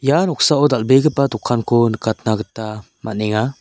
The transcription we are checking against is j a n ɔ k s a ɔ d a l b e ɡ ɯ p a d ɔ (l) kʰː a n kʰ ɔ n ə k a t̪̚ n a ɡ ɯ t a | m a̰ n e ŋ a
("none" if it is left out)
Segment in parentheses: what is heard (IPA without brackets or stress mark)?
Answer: none